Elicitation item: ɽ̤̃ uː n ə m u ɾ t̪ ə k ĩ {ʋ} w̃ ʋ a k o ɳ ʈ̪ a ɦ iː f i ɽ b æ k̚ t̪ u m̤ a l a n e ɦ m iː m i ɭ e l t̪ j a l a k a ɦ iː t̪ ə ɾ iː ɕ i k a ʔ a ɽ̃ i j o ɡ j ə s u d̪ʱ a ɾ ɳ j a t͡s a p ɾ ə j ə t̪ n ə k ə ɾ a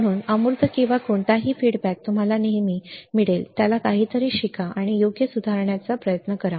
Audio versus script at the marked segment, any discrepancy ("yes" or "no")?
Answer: yes